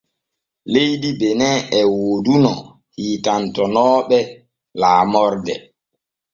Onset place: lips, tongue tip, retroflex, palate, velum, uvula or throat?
tongue tip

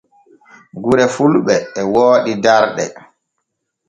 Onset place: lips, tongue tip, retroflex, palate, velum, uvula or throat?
velum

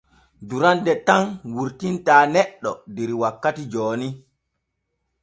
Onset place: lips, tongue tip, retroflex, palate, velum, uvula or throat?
tongue tip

